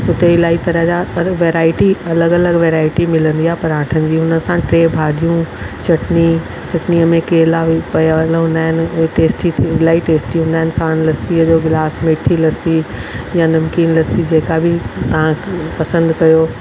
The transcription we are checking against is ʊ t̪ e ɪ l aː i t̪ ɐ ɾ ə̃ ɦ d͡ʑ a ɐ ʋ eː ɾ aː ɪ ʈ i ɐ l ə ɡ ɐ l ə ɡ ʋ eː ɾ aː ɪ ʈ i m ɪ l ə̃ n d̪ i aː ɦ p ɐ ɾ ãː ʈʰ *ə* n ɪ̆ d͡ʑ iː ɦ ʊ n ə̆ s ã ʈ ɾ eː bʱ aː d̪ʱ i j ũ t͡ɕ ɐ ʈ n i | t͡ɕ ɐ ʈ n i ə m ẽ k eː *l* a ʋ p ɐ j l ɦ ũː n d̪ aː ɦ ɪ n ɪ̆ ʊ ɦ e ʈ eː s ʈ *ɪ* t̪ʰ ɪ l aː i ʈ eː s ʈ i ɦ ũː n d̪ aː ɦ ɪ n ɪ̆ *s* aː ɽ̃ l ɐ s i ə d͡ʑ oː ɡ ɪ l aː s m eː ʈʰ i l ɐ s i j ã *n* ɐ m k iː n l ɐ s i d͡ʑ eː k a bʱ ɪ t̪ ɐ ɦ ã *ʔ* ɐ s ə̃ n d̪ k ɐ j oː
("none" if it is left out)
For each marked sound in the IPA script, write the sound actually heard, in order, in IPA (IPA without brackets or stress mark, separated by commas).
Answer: ə, l, i, s, n, p